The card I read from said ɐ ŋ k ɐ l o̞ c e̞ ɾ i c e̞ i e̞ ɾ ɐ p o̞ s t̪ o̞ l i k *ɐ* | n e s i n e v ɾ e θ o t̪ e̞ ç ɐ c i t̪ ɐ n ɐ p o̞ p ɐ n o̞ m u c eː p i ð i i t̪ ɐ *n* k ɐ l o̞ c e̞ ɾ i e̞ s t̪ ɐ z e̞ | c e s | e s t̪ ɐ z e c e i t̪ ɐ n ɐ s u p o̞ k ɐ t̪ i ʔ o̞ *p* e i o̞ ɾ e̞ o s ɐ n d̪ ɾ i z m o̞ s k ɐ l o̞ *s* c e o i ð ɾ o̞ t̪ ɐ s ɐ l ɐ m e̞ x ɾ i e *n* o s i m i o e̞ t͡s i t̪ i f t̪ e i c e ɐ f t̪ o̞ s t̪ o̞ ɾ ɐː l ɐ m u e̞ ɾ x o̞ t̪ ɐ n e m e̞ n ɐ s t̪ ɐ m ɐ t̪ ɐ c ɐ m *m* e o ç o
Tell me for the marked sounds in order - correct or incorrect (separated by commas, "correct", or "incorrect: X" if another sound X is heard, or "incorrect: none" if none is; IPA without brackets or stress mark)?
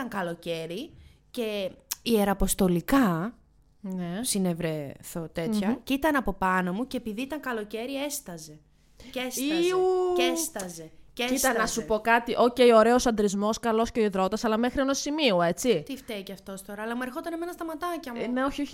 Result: correct, incorrect: ŋ, incorrect: c, correct, correct, incorrect: n